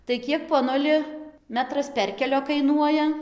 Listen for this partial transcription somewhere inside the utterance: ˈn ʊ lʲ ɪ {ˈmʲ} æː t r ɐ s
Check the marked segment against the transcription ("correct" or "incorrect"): correct